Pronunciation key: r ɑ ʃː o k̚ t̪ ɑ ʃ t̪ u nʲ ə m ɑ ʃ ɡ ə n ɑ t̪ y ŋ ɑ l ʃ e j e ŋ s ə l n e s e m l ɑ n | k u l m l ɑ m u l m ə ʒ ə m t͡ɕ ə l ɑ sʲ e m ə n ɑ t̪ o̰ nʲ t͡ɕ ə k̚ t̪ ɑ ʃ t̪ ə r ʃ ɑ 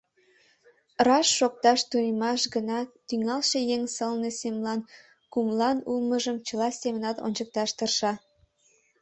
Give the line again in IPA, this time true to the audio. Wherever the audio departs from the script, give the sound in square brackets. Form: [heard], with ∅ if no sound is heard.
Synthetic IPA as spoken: r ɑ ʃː o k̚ t̪ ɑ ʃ t̪ u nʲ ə m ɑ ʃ ɡ ə n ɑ t̪ y ŋ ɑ l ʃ e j e ŋ s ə l n e s e m l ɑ n | k u [∅] m l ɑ [n] u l m ə ʒ ə m t͡ɕ ə l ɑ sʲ e m ə n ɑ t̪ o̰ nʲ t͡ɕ ə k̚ t̪ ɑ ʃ t̪ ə r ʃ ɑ